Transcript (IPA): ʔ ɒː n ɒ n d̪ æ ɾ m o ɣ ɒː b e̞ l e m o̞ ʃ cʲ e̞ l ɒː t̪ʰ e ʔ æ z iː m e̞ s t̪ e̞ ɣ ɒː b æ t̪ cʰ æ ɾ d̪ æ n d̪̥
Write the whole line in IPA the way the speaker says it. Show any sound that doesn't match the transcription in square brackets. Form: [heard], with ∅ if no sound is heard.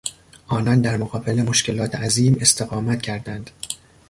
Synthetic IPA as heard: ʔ ɒː n ɒ n d̪ æ ɾ m o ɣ ɒː b e̞ l e m o̞ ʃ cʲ e̞ l ɒː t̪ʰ e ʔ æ z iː m e̞ s t̪ e̞ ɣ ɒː [m] æ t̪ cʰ æ ɾ d̪ æ n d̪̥